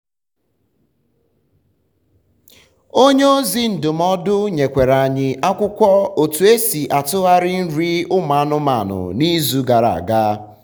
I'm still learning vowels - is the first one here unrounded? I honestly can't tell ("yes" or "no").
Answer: no